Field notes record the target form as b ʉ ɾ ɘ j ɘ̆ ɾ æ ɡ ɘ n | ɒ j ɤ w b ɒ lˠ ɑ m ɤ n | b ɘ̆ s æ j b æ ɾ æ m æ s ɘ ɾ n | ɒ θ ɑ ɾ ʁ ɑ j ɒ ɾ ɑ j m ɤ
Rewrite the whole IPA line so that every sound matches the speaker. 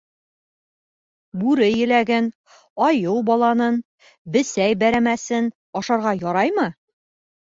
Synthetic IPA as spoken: b ʉ ɾ ɘ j ɘ̆ l æ ɡ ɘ n | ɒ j ɤ w b ɒ lˠ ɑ n ɤ n | b ɘ̆ s æ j b æ ɾ æ m æ s ɘ n | ɒ ʃ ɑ ɾ ʁ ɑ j ɒ ɾ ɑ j m ɤ